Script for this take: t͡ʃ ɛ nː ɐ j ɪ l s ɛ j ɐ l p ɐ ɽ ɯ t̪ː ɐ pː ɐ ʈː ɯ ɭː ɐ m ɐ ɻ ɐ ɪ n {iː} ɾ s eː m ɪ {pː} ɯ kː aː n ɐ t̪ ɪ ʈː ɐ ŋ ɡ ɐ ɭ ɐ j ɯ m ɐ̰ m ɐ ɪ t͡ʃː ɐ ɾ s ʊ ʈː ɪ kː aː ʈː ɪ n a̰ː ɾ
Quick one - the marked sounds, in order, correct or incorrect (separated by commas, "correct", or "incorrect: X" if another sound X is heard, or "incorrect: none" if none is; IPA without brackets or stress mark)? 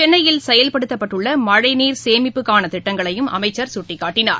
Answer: correct, correct